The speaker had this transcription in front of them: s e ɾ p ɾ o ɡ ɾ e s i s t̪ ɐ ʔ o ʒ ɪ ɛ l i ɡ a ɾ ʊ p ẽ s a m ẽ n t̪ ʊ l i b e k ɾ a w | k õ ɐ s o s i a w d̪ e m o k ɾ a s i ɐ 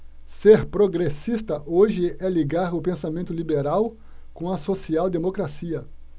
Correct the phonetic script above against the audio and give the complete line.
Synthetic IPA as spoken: s e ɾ p ɾ o ɡ ɾ e s i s t̪ ɐ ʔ o ʒ ɪ ɛ l i ɡ a ɾ ʊ p ẽ s a m ẽ n t̪ ʊ l i b e ɾ a w | k õ ɐ s o s i a w d̪ e m o k ɾ a s i ɐ